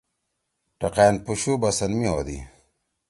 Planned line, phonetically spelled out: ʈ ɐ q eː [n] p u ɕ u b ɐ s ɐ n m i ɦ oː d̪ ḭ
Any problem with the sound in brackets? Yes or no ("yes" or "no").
no